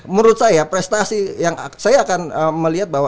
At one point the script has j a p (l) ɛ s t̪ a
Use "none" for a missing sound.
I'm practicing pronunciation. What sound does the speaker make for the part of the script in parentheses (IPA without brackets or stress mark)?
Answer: ɾ